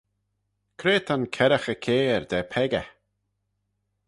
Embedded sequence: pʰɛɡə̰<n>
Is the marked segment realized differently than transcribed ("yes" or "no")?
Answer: yes